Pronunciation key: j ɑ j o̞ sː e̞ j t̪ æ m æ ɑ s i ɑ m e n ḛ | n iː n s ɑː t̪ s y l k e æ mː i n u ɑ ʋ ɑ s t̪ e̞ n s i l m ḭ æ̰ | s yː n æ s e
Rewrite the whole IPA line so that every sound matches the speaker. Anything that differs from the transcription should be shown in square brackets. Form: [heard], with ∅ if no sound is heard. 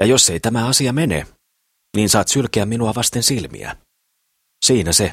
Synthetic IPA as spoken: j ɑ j o̞ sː e̞ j t̪ æ m æ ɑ s i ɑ m e n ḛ | n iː n s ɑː t̪ s y l k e æ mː i n u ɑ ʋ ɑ s t̪ e̞ n s i l m ḭ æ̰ | s [iː] n æ s e